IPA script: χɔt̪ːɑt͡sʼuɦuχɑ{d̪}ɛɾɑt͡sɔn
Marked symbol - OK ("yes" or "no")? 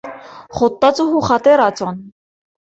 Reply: no